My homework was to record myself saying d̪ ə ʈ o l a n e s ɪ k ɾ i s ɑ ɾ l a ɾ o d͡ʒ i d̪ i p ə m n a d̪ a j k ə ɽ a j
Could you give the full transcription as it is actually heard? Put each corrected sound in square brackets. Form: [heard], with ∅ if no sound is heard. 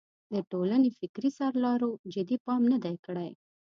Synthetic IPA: d̪ ə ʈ o l a n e [f] ɪ k ɾ i s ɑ ɾ l [ɑ] ɾ o d͡ʒ [ɪ] d̪ i p [ɑ] m n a d̪ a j k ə ɽ a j